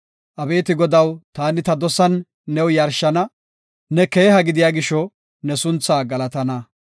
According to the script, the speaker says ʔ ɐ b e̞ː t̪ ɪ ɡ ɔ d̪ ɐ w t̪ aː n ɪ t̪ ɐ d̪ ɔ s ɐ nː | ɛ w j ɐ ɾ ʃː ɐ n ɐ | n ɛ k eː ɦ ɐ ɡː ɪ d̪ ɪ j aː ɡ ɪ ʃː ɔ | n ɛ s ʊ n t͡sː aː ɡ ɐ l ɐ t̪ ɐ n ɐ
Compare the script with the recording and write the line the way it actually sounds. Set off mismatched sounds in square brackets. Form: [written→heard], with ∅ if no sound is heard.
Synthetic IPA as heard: ʔ ɐ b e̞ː t̪ ɪ ɡ ɔ d̪ ɐ w t̪ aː n ɪ t̪ ɐ d̪ ɔ s ɐ nː | ɛ w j ɐ ɾ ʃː ɐ n ɐ | n ɛ k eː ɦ ɐ [ɡː→ɡ] ɪ d̪ ɪ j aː ɡ ɪ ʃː ɔ | n ɛ s ʊ n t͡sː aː ɡ ɐ l ɐ t̪ ɐ n ɐ